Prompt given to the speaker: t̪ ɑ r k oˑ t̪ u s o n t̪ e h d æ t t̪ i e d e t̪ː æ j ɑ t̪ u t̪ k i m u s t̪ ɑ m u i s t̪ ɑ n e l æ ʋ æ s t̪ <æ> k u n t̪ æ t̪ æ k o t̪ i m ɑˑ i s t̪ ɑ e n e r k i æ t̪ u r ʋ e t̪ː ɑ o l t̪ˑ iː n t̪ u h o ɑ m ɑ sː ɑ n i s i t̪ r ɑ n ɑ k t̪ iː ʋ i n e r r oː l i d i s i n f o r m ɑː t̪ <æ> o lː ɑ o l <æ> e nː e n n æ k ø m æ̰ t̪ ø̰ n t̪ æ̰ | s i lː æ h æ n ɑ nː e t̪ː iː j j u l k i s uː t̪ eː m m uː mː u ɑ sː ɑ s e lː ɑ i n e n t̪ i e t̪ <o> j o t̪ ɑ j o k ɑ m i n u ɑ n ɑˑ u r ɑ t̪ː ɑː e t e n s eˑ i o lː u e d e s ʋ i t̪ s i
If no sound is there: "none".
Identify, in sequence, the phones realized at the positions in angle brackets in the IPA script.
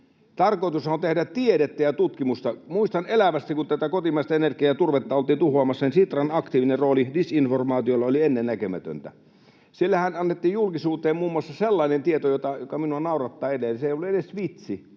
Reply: i, i, i, o

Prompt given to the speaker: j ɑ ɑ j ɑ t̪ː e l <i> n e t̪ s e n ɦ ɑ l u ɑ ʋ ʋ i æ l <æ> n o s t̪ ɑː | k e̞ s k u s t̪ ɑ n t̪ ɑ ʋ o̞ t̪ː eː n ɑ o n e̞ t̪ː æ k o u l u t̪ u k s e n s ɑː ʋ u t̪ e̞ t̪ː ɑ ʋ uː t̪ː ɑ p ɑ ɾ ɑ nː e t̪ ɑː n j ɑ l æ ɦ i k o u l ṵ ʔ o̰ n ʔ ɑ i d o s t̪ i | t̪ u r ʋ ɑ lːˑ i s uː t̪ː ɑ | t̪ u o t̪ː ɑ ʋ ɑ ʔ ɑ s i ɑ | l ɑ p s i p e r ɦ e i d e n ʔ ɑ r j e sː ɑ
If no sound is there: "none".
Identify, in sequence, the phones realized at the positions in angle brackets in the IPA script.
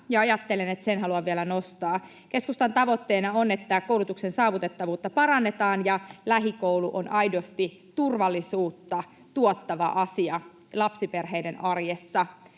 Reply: e, æ

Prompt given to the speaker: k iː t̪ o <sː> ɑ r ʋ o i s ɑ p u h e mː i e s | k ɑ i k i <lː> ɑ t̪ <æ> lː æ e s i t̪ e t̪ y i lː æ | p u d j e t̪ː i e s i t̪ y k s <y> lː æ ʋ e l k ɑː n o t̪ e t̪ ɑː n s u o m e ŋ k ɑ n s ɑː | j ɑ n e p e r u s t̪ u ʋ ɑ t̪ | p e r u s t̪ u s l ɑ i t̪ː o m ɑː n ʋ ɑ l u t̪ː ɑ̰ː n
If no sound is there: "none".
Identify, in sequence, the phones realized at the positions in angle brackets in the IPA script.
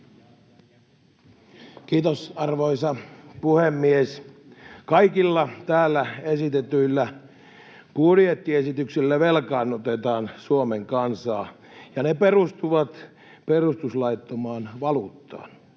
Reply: s, lː, æː, i

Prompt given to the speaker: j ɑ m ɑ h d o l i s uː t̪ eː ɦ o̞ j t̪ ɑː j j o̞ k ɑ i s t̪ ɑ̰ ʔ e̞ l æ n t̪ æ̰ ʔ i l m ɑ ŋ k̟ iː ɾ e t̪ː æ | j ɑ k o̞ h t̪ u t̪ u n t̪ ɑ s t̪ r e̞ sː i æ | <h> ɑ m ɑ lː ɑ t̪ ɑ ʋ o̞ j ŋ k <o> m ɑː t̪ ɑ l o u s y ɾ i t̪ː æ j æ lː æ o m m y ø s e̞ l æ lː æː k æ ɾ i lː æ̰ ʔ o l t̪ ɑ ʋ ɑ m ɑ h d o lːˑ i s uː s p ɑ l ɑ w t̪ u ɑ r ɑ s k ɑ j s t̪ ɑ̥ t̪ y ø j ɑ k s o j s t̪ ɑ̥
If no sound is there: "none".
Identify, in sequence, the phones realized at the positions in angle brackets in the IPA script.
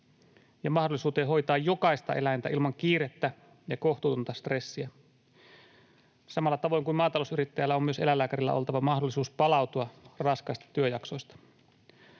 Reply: s, u

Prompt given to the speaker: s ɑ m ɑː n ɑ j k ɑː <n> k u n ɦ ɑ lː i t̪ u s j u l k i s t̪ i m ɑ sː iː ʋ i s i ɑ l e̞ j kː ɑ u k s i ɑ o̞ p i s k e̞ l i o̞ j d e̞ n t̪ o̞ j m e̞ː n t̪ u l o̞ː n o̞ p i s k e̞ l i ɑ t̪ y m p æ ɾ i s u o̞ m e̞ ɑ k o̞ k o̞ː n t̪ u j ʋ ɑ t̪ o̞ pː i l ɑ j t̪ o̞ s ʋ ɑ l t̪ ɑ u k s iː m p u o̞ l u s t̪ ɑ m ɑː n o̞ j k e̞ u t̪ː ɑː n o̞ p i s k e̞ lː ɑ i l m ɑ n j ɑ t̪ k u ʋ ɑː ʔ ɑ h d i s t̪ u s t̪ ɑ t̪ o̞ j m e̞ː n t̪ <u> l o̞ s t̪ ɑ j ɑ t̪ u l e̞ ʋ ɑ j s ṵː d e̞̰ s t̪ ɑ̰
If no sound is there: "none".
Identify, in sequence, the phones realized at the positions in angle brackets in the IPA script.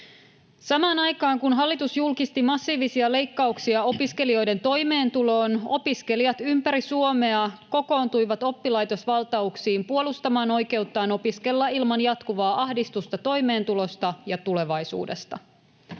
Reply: ŋ, u

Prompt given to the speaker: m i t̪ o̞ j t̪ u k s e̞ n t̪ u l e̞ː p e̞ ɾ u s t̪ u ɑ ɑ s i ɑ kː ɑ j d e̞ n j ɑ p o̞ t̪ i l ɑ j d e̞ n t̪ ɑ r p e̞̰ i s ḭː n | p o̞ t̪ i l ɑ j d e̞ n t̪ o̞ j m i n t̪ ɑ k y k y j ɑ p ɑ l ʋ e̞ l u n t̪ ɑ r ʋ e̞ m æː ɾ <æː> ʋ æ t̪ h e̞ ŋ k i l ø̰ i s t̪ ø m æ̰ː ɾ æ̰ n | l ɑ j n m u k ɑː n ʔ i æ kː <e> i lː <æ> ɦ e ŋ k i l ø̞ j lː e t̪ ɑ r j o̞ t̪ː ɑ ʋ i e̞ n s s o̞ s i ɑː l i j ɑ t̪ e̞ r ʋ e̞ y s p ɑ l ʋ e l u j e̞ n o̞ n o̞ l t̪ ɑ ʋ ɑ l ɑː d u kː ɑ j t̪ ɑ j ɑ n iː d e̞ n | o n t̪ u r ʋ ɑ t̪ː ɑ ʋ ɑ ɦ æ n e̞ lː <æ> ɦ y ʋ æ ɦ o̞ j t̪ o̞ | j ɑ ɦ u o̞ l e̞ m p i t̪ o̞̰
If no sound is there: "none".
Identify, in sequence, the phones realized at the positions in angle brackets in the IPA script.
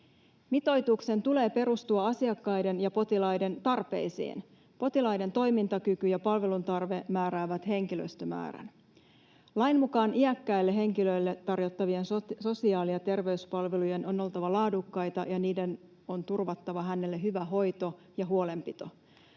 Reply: æː, æ, e, e

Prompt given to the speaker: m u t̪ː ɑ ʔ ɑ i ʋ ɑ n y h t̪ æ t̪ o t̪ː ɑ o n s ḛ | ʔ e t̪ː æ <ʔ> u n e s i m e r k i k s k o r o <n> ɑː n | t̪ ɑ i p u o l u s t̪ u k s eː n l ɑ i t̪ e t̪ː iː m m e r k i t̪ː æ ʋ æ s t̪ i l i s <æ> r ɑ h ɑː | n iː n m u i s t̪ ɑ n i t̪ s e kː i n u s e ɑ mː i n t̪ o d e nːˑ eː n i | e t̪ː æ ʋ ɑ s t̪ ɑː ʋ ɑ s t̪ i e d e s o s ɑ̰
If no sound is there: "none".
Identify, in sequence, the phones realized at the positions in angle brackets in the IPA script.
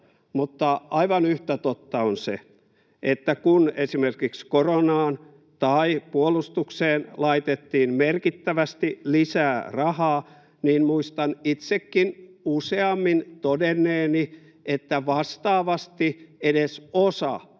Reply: k, n, æː

